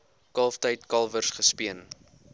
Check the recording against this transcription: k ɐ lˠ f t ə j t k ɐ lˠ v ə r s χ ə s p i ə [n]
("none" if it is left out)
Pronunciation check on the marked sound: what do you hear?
n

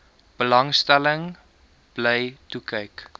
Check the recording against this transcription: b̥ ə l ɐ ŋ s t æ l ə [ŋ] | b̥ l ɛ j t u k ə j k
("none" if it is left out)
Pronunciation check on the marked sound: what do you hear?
ŋ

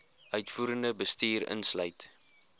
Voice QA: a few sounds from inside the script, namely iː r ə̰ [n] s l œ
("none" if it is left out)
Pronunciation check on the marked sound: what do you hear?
n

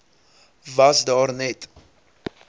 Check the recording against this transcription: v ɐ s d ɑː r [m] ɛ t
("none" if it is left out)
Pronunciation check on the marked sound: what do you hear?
n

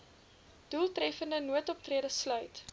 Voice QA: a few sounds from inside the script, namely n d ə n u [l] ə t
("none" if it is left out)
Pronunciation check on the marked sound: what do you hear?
none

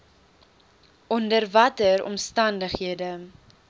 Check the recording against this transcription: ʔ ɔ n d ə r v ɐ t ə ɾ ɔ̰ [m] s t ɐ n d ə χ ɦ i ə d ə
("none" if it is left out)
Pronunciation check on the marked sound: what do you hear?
m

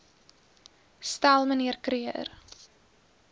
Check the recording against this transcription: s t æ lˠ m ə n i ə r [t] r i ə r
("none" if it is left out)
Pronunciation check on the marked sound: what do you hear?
k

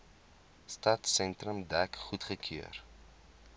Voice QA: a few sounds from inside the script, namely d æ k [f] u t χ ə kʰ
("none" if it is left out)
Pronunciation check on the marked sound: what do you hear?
χ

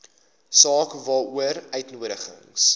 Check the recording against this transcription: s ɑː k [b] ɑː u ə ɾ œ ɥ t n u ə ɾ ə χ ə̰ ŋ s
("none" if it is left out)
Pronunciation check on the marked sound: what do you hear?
v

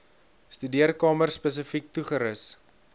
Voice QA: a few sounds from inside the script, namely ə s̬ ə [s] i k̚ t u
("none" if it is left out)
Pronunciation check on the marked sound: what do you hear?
f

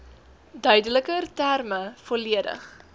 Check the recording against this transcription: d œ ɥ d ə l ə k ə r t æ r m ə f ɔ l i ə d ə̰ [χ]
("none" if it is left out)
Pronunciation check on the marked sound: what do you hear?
χ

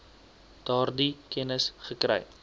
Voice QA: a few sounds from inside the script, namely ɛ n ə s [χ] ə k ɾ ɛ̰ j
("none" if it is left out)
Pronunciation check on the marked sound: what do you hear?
χ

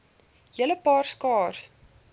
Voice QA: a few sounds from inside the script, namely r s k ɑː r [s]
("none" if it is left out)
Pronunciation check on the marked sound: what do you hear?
s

